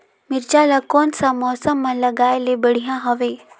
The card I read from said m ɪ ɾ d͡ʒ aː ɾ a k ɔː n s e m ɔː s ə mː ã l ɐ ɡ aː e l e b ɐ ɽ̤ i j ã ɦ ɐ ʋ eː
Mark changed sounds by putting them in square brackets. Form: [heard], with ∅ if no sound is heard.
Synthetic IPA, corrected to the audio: m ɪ ɾ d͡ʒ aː [l] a k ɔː n s [a] m ɔː s ə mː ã l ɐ ɡ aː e l e b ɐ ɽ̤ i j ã ɦ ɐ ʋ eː